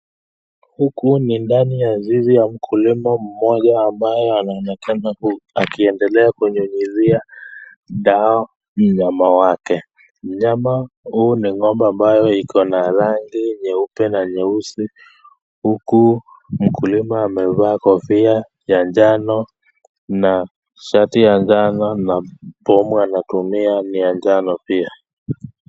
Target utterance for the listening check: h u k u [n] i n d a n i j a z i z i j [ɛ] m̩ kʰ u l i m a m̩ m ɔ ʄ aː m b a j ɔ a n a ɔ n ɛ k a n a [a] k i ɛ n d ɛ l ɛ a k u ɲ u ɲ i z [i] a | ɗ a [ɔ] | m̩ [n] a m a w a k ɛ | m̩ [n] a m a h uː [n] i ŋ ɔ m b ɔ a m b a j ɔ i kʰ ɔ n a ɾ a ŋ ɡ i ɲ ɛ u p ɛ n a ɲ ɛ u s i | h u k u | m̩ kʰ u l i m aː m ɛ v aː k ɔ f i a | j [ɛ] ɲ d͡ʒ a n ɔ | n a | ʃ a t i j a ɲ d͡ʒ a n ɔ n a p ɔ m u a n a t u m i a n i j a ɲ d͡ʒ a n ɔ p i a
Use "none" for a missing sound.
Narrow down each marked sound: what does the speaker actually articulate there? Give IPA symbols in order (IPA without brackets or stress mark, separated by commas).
n, a, a, i, ɔ, ɲ, ɲ, n, a